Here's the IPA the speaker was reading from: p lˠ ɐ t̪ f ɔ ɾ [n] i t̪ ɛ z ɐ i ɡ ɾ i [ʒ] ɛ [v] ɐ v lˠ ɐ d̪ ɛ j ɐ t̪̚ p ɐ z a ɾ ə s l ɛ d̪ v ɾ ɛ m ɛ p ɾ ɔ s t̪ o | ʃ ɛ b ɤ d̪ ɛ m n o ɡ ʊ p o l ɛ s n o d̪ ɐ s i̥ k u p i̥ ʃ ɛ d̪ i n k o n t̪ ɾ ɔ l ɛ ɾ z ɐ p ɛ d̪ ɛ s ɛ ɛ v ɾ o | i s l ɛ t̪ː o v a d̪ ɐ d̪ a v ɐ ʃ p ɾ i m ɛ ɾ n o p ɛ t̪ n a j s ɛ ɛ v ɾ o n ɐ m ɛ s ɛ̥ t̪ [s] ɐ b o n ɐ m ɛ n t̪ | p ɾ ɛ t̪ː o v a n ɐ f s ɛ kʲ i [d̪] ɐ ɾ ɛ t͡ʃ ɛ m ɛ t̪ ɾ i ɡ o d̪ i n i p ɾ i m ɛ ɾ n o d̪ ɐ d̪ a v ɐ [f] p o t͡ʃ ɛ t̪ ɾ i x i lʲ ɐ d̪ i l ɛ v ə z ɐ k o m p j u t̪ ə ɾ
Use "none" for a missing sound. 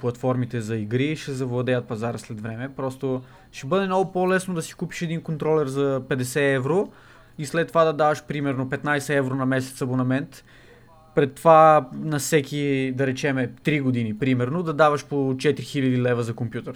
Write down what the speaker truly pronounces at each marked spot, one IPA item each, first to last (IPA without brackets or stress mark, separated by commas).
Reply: m, ʃ, z, s, d̪, ʃ